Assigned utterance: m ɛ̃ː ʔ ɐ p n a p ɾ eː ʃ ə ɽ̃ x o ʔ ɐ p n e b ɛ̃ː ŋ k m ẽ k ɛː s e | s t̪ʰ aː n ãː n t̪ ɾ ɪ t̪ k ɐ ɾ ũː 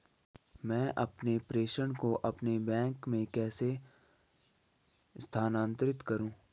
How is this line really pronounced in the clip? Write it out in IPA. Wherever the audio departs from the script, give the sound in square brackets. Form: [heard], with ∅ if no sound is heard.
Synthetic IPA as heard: m ɛ̃ː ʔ ɐ p n [e] p ɾ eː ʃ ə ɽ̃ [k] o ʔ ɐ p n e b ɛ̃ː ŋ k m ẽ k ɛː s e | s t̪ʰ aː n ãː n t̪ ɾ ɪ t̪ k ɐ ɾ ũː